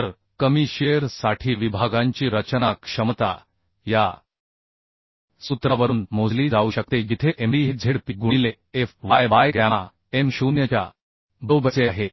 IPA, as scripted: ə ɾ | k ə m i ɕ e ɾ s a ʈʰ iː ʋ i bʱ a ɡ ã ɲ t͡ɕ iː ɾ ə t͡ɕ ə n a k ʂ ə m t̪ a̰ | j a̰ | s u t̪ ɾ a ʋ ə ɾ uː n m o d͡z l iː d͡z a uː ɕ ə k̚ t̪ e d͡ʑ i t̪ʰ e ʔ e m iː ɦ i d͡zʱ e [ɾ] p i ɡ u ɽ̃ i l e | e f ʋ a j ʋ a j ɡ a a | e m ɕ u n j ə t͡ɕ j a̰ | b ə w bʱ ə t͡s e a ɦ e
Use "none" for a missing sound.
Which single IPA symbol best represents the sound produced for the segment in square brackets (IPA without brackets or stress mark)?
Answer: ɽ